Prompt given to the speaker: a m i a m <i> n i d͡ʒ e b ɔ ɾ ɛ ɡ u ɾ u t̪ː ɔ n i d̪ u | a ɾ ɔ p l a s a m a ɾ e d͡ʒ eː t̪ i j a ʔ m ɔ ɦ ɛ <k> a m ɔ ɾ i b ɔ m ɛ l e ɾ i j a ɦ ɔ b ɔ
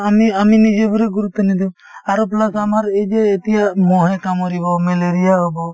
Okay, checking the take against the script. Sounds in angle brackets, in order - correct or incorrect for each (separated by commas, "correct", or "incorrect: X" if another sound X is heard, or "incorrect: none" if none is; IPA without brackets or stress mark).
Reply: correct, correct